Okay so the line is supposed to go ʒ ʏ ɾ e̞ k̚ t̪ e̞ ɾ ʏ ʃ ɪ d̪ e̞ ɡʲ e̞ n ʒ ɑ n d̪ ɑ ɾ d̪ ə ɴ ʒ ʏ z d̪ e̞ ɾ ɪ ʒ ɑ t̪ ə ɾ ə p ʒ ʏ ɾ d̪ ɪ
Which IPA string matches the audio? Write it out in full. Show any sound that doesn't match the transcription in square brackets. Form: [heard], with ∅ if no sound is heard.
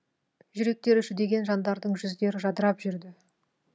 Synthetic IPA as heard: ʒ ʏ ɾ e̞ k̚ t̪ e̞ ɾ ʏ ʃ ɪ d̪ e̞ ɡʲ e̞ n ʒ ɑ n d̪ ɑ ɾ d̪ ə ɴ ʒ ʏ z d̪ e̞ ɾ ɪ ʒ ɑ [d̪] ə ɾ [ɑ] p ʒ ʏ ɾ d̪ ɪ